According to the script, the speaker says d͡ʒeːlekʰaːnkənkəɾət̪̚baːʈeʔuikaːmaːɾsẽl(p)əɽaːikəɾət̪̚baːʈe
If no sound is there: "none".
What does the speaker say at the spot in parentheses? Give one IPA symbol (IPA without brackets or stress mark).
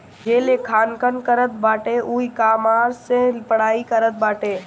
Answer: p